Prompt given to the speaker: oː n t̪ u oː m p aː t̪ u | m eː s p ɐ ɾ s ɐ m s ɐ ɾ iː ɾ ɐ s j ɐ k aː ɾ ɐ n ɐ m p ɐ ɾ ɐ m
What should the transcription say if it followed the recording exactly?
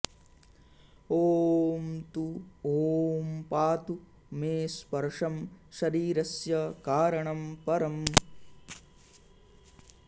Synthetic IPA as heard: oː m t̪ u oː m p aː t̪ u | m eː s p ɐ ɾ ʂ ɐ m ʃ ɐ ɾ iː ɾ ɐ s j ɐ k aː ɾ ɐ ɳ ɐ m p ɐ ɾ ɐ m